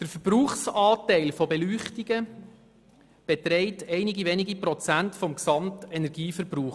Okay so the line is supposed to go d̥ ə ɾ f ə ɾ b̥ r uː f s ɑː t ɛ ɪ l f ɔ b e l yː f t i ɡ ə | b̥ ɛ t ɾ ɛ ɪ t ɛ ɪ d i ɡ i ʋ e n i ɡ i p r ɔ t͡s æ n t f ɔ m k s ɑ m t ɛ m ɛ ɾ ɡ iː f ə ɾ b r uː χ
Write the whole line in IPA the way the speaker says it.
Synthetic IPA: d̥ ə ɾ f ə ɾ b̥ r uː χ s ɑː t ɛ ɪ l f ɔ b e l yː χ t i ɡ ə | b̥ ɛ t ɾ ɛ ɪ t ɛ ɪ n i ɡ i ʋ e n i ɡ i p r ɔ t͡s æ n t f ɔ m k s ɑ m t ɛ n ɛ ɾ ɡ iː f ə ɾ b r uː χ